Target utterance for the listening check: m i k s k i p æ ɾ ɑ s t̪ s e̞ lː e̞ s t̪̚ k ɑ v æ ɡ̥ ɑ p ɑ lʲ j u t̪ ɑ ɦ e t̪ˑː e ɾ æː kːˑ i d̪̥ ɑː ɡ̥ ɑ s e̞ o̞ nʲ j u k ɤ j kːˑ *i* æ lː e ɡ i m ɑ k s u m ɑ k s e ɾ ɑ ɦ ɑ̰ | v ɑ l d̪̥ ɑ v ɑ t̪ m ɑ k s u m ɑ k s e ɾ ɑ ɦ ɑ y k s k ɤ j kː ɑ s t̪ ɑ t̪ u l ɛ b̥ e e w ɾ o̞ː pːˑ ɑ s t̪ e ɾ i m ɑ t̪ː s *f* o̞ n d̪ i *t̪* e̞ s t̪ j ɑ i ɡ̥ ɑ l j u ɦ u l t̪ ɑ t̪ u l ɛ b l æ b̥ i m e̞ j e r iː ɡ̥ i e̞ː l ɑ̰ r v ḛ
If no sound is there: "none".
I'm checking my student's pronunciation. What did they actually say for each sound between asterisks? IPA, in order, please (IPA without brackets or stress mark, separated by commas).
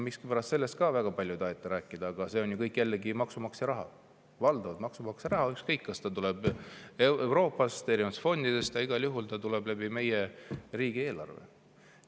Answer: j, f, d̪